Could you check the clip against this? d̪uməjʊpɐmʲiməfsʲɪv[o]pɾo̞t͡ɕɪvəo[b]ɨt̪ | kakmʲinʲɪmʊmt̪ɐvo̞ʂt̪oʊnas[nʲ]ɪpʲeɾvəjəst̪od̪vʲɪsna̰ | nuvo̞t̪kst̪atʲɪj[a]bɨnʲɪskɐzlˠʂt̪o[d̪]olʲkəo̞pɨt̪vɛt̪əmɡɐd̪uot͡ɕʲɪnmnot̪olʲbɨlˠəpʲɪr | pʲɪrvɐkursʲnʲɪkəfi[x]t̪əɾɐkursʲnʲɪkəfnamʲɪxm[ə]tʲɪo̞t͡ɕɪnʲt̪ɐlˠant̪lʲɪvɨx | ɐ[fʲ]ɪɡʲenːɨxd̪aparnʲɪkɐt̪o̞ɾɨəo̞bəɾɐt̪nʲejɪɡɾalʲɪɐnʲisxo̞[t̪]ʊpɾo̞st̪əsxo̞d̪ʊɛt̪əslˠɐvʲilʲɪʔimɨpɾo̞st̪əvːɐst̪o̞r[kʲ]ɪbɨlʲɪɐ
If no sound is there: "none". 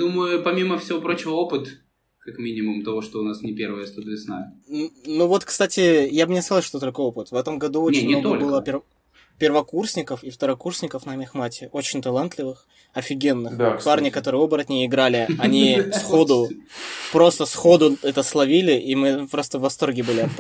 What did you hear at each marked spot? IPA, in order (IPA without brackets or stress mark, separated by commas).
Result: o, p, nʲ, a, t̪, f, a, fʲ, d̪, ɡʲ